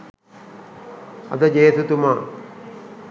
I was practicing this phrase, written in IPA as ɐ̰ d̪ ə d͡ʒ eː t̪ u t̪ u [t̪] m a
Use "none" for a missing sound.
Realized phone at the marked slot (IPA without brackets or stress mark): none